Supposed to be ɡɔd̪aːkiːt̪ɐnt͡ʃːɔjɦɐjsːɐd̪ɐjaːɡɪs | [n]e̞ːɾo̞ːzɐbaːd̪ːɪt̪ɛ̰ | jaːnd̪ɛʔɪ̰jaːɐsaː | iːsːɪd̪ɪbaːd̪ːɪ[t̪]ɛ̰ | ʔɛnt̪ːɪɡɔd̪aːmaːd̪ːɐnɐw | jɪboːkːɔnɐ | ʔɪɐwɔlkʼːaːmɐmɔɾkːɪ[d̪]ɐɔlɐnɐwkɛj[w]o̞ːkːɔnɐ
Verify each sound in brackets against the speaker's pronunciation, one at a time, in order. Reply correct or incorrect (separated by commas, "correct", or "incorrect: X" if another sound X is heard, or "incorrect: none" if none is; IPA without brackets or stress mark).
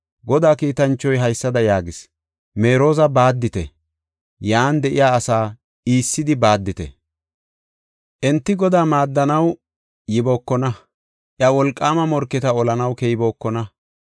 incorrect: m, correct, incorrect: t̪, incorrect: b